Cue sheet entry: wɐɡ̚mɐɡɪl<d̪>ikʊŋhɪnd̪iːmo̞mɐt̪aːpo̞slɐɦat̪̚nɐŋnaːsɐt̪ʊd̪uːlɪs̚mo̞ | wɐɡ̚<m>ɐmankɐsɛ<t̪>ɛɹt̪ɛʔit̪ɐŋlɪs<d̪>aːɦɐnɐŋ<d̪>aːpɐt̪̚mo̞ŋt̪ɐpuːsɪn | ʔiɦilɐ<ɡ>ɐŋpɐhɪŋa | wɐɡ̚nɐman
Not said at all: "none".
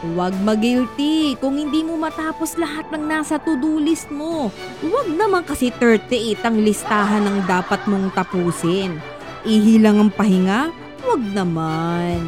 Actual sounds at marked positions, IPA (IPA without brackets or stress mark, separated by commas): t̪, n, t̪, t̪, d̪, ŋ